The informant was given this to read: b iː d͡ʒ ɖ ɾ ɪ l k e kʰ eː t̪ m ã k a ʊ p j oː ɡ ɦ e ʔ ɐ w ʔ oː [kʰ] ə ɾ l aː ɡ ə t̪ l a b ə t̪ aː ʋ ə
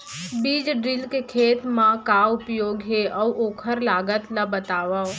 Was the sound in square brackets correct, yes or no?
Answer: yes